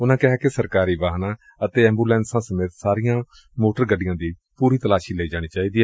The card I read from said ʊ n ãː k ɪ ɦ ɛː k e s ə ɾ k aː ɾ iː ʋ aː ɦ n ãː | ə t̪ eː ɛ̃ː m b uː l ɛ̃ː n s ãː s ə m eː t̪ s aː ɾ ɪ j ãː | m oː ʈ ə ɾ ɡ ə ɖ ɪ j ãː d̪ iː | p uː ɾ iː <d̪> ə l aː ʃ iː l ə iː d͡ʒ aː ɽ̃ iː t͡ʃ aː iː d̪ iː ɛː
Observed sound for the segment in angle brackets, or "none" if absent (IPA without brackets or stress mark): t̪